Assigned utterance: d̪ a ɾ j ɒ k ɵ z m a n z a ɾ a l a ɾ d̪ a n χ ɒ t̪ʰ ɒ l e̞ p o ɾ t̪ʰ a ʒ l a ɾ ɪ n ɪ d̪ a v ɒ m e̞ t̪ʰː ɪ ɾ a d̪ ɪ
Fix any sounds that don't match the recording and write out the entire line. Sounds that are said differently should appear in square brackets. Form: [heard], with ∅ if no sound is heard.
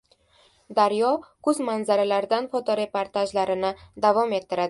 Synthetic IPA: d̪ a ɾ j ɒ k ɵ z m a n z a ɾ a l a ɾ d̪ a n [f] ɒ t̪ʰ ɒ [ɾ] e̞ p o ɾ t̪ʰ a ʒ l a ɾ ɪ n ɪ d̪ a v ɒ m e̞ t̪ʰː ɪ ɾ a d̪ ɪ